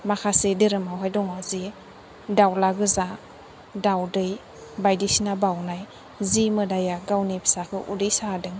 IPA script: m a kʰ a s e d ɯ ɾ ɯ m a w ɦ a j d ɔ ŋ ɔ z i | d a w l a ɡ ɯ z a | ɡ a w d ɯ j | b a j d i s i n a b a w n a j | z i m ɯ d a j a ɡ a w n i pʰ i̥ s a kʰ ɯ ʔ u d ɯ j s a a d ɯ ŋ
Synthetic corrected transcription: m a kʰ a s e d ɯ ɾ ɯ m a w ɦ a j d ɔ ŋ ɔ z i | d a w l a ɡ ɯ z a | d a w d ɯ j | b a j d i s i n a b a w n a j | z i m ɯ d a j a ɡ a w n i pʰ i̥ s a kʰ ɯ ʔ u d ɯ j s a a d ɯ ŋ